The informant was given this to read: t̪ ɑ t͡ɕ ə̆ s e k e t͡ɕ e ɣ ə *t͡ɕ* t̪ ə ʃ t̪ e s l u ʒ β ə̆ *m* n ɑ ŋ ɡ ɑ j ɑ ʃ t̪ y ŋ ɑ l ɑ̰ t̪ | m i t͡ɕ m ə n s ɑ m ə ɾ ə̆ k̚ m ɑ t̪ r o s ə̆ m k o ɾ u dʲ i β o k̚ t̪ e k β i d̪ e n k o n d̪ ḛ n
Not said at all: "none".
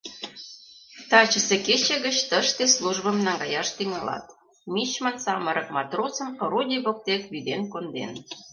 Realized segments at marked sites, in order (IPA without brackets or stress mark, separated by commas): t͡ɕ, m